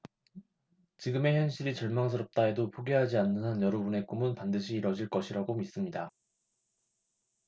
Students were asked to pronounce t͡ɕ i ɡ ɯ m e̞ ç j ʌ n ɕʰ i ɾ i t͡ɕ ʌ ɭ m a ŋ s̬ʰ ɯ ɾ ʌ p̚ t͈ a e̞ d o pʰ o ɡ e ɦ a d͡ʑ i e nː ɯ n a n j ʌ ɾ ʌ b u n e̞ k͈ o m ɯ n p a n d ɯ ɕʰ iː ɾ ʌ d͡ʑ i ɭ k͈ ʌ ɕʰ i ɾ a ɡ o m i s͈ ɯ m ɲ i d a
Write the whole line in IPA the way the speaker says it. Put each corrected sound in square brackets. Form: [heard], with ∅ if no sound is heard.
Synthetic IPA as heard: t͡ɕ i ɡ ɯ m e̞ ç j ʌ n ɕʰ i ɾ i t͡ɕ ʌ ɭ m a ŋ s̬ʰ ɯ ɾ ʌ p̚ t͈ a e̞ d o pʰ o ɡ e ɦ a d͡ʑ i [a] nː ɯ n a n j ʌ ɾ ʌ b u n e̞ k͈ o m ɯ n p a n d ɯ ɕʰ iː ɾ ʌ d͡ʑ i ɭ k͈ ʌ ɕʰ i ɾ a ɡ o m i s͈ ɯ m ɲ i d a